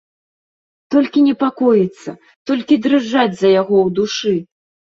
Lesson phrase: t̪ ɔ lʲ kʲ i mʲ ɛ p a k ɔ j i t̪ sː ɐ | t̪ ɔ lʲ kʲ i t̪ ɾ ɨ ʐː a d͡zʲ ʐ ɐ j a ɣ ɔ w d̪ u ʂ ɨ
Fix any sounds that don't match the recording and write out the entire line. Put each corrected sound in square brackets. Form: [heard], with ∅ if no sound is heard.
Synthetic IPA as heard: t̪ ɔ lʲ kʲ i [nʲ] ɛ p a k ɔ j i t̪ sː ɐ | t̪ ɔ lʲ kʲ i [d̪] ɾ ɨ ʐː a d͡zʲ [z] ɐ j a ɣ ɔ w d̪ u ʂ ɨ